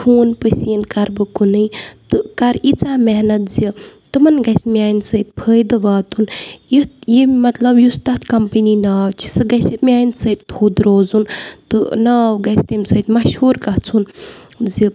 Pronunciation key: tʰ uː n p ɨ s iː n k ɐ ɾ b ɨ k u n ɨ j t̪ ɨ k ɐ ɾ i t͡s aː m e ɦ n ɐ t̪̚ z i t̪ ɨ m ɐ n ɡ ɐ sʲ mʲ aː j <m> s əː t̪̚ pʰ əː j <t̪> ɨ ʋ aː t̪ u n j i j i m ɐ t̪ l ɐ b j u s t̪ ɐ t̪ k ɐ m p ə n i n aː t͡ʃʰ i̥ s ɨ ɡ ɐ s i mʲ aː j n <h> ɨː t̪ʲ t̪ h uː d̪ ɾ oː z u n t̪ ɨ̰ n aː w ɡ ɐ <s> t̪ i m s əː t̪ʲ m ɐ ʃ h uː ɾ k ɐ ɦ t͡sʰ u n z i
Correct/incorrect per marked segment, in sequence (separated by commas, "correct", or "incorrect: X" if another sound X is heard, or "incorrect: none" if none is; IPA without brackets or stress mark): incorrect: n, incorrect: d̪, incorrect: s, correct